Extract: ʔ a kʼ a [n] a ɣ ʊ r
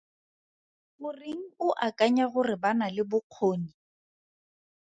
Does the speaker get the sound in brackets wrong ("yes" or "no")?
yes